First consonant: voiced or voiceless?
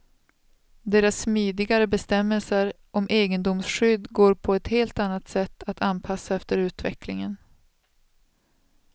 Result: voiced